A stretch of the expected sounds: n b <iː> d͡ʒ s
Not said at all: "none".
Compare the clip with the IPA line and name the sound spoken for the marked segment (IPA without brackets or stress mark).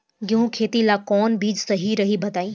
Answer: iː